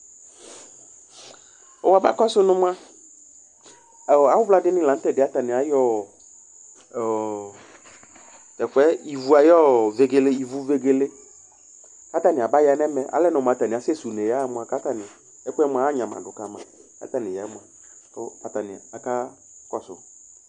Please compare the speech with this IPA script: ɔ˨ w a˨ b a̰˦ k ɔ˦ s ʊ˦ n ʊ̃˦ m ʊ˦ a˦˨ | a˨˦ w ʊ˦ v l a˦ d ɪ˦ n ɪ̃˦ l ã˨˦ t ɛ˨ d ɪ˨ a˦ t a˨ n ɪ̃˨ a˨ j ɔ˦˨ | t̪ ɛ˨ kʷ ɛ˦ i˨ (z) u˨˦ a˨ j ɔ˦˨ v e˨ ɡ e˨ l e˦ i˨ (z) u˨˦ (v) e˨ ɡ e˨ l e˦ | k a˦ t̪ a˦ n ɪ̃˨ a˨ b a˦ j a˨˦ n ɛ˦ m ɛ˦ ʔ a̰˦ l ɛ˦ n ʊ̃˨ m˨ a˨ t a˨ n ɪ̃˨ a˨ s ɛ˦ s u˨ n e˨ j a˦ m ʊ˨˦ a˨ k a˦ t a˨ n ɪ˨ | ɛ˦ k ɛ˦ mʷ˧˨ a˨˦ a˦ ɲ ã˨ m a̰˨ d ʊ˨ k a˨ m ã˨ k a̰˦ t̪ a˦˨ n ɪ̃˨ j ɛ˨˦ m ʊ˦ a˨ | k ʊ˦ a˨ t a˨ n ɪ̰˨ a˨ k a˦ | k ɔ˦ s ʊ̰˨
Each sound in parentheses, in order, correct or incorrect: incorrect: v, incorrect: v, correct

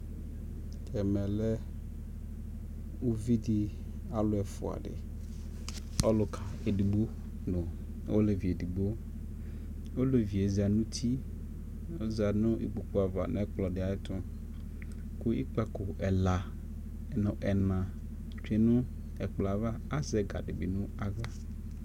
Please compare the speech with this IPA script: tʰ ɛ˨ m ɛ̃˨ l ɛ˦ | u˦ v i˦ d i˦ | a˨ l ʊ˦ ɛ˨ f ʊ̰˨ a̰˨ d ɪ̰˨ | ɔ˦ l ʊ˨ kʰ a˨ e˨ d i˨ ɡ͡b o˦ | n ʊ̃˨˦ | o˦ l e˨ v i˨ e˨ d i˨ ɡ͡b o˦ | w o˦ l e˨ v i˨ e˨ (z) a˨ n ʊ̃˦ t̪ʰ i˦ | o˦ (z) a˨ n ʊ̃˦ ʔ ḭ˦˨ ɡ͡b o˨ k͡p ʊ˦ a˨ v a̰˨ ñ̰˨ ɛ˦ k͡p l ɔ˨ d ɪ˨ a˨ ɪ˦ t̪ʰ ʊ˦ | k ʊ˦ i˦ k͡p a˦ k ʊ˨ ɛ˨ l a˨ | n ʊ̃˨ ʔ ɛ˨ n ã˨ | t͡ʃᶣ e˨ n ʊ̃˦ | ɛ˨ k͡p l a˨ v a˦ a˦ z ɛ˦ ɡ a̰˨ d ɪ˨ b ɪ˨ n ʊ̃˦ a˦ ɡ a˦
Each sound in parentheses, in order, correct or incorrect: correct, correct

